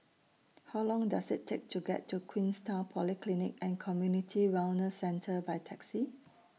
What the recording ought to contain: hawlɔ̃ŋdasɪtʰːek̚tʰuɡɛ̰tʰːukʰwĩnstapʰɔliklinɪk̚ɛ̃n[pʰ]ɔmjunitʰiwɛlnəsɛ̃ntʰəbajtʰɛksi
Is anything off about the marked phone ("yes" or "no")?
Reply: yes